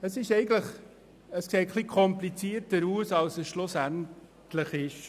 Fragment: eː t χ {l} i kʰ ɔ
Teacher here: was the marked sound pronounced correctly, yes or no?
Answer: yes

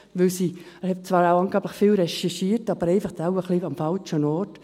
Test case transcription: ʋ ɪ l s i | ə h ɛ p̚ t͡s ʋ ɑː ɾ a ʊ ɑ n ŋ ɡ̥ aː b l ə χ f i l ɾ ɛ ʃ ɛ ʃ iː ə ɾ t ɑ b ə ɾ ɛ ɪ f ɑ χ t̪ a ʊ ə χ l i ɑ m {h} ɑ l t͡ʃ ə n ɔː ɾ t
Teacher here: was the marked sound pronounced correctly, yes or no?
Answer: no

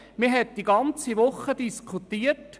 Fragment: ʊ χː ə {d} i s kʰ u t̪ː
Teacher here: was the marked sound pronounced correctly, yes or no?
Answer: yes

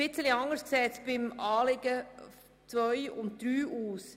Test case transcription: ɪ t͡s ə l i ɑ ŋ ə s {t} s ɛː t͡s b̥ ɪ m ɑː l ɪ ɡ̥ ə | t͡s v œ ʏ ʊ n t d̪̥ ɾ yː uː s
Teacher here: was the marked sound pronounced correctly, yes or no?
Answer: no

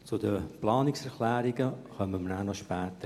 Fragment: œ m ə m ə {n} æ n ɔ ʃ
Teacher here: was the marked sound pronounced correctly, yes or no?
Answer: yes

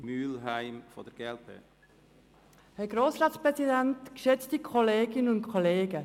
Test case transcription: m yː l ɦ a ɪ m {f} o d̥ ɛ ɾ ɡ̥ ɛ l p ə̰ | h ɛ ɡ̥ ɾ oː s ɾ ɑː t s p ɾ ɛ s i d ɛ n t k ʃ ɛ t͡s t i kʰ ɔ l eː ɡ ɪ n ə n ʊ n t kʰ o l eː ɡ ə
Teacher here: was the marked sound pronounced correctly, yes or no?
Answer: yes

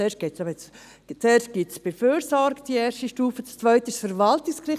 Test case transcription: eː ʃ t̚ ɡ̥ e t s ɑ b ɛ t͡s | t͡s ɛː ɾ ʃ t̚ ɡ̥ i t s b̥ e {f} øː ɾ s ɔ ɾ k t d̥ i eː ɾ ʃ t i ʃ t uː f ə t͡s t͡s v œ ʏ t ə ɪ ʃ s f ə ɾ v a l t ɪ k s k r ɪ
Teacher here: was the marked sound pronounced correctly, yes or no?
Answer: yes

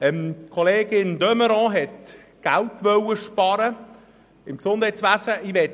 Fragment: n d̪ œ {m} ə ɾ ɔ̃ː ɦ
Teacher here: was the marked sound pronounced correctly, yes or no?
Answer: yes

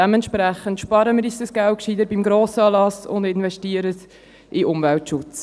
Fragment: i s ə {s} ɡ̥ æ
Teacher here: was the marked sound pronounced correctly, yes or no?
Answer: yes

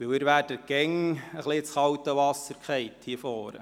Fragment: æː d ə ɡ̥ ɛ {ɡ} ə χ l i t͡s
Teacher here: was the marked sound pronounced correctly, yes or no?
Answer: no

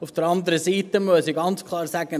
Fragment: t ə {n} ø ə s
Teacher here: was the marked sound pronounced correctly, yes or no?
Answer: no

